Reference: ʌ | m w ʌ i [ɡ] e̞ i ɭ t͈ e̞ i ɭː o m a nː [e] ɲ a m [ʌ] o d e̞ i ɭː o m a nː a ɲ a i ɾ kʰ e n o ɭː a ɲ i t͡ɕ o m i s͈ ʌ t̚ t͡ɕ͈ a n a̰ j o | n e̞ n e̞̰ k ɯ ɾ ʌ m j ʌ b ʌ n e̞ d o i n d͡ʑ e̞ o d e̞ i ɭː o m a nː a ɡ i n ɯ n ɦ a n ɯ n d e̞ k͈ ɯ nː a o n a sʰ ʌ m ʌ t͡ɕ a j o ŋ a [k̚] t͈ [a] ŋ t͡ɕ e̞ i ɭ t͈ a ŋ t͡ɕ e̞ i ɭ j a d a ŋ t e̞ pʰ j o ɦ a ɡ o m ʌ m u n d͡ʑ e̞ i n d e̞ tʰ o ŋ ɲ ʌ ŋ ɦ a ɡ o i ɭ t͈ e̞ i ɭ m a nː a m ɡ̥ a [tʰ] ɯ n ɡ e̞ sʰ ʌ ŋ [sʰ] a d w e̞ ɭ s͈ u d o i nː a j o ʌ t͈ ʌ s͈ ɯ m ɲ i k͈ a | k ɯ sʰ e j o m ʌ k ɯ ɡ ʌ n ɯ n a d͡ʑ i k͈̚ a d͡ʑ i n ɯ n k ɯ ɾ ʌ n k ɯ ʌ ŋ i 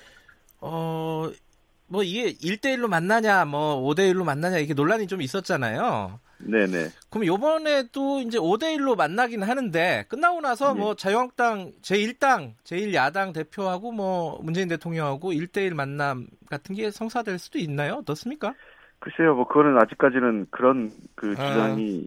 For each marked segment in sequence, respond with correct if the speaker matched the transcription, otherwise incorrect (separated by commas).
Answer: correct, incorrect, correct, correct, correct, correct, correct